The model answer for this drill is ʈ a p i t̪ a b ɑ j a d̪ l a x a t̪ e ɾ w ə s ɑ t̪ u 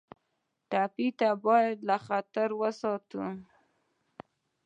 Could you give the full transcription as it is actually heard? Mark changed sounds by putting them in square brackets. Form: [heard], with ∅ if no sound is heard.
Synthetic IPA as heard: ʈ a p i t̪ a b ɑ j a d̪ l a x a t̪ [a] ɾ w ə s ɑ t̪ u